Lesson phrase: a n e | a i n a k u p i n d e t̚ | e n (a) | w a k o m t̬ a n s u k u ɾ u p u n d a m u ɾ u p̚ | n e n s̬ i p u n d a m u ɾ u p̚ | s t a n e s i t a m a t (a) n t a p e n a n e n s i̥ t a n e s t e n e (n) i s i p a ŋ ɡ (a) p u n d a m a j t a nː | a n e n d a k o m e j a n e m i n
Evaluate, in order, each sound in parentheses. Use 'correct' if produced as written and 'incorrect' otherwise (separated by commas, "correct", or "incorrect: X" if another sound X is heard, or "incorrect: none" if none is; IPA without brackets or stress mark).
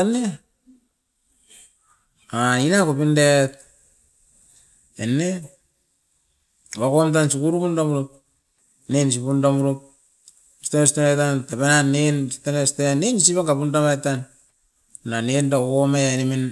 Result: incorrect: e, correct, correct, correct